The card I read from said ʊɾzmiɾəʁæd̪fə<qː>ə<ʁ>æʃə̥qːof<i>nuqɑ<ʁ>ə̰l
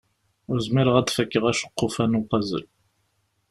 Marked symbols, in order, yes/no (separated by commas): no, yes, no, no